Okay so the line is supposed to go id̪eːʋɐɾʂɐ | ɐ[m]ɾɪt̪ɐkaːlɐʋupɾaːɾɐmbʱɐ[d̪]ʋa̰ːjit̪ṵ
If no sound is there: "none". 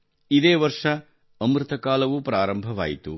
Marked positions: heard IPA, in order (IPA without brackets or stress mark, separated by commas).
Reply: m, none